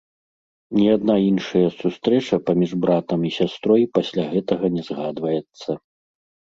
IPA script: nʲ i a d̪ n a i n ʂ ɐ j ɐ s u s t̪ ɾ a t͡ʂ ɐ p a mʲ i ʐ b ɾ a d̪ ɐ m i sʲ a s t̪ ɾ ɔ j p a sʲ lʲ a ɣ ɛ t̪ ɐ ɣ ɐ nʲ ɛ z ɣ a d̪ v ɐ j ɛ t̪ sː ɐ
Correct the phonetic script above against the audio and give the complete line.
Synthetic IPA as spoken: nʲ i a d̪ n a i n ʂ ɐ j ɐ s u s t̪ ɾ ɛ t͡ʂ ɐ p a mʲ i ʐ b ɾ a t̪ ɐ m i sʲ a s t̪ ɾ ɔ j p a sʲ lʲ a ɣ ɛ t̪ ɐ ɣ ɐ nʲ ɛ z ɣ a d̪ v ɐ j ɛ t̪ sː ɐ